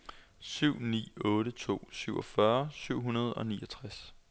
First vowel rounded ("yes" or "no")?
yes